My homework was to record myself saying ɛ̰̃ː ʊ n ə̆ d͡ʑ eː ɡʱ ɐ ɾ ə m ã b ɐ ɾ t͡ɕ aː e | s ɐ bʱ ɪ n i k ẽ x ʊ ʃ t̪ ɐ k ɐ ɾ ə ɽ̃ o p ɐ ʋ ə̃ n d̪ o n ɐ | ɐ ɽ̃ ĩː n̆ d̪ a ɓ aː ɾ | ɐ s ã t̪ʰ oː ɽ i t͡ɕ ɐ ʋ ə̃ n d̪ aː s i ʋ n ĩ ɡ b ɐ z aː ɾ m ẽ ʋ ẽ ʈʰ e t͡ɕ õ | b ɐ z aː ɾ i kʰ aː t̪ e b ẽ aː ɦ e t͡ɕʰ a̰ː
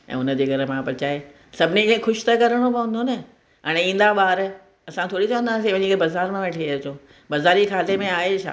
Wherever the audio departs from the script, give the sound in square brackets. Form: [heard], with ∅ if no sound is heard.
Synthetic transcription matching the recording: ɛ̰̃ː ʊ n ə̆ d͡ʑ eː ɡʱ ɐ ɾ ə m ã [p] ɐ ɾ t͡ɕ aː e | s ɐ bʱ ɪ n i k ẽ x ʊ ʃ t̪ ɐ k ɐ ɾ ə ɽ̃ o p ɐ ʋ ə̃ n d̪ o n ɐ | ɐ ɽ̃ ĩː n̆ d̪ a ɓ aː ɾ | ɐ s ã t̪ʰ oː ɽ i t͡ɕ ɐ ʋ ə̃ n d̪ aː s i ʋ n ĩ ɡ b ɐ z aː ɾ m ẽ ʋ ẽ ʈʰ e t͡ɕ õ | b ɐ z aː ɾ i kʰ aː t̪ e [m] ẽ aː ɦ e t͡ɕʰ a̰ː